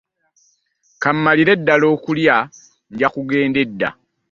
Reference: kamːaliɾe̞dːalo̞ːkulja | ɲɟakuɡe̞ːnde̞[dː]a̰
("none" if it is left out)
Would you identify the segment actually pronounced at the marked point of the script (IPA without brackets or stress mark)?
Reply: dː